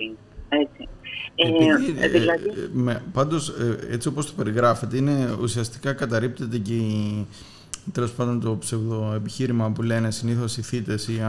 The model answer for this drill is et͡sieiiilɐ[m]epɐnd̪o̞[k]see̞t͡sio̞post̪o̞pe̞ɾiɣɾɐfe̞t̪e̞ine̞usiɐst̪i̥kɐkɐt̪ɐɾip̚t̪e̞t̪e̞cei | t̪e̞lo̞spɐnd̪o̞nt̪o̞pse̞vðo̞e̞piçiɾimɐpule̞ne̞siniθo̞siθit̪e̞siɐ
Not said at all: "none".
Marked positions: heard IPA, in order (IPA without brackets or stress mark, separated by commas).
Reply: m, none